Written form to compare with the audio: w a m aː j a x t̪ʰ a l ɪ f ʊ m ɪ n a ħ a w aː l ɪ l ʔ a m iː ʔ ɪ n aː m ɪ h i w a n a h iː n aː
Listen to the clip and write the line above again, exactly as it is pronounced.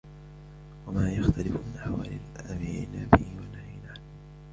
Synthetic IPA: w a m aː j a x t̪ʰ a l ɪ f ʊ m ɪ n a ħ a w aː l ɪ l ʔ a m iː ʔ ɪ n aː b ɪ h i w a n a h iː n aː